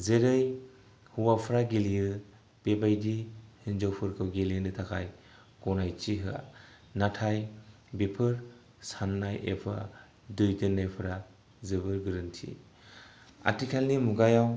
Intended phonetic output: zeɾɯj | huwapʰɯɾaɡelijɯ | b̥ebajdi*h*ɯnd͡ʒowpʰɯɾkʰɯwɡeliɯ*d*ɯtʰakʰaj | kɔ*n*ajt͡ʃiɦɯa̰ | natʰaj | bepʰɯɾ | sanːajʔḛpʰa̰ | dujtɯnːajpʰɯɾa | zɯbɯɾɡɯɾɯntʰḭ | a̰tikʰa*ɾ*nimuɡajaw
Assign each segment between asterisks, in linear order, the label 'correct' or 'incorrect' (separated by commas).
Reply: correct, incorrect, correct, incorrect